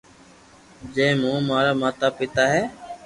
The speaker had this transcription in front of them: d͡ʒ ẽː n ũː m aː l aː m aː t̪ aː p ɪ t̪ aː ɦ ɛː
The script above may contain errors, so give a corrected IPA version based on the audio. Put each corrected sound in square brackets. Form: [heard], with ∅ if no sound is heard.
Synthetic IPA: d͡ʒ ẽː [m] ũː m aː [ɾ] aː m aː t̪ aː p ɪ t̪ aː ɦ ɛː

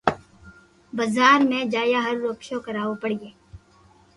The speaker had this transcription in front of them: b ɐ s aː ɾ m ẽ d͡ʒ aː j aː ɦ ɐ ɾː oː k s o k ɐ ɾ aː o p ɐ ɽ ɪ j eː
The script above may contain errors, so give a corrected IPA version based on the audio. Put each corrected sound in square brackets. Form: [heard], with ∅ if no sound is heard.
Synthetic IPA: b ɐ [z] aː ɾ m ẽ d͡ʒ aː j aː ɦ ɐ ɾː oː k [ʃ] o k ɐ ɾ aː o p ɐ ɽ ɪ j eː

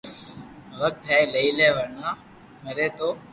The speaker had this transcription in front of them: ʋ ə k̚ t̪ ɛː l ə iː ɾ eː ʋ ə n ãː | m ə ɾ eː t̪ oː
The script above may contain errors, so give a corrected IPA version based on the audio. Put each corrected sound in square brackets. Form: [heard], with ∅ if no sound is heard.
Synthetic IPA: ʋ ə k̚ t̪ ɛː l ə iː [l] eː ʋ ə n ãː | m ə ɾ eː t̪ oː

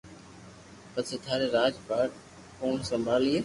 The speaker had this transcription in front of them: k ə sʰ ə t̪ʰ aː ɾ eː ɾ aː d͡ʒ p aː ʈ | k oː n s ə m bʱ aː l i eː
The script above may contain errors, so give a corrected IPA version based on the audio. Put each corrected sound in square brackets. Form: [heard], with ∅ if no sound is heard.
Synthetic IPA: [p] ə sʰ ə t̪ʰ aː ɾ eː ɾ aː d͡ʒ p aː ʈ | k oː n s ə m bʱ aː l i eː

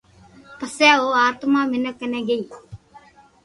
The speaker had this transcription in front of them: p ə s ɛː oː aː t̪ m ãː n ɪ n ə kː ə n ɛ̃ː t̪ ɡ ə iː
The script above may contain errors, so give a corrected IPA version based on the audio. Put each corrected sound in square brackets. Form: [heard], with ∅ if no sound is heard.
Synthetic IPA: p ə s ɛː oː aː t̪ m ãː [m] ɪ n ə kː ə n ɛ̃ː [∅] ɡ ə iː

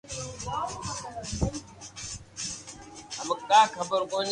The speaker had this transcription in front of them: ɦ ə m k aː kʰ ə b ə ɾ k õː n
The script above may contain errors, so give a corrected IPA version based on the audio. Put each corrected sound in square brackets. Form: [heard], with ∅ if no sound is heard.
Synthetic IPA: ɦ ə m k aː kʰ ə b ə ɾ k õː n

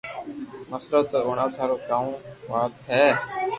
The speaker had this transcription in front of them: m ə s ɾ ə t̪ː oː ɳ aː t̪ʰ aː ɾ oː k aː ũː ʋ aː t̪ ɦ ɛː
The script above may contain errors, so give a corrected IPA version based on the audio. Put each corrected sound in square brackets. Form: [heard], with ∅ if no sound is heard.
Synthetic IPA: m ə s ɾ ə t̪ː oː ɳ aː t̪ʰ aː ɾ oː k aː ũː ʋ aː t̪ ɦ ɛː

